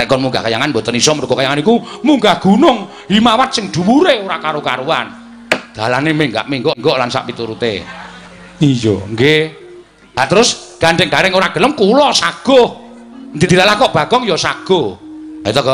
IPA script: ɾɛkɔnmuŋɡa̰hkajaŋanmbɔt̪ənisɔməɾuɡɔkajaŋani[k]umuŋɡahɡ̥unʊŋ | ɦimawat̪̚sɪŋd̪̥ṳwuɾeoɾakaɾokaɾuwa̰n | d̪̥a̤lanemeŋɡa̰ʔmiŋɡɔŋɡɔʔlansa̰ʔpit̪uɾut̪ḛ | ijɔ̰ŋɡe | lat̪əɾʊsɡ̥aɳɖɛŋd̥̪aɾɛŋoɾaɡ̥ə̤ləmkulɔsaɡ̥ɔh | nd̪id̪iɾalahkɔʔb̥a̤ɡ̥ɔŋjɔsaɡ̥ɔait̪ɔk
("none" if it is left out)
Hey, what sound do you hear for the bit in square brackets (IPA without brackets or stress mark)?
k